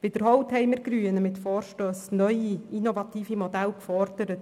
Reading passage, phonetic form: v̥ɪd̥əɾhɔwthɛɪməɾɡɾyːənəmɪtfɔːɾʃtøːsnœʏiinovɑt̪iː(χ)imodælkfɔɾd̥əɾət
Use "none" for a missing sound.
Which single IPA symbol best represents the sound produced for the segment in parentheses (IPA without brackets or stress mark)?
f